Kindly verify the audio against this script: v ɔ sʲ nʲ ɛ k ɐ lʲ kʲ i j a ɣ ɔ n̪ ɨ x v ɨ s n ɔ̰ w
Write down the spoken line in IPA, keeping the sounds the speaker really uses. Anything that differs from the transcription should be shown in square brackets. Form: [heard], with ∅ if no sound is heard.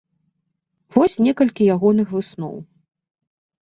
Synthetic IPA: v ɔ sʲ nʲ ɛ k ɐ lʲ kʲ i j a ɣ ɔ n̪ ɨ x v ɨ s n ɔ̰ w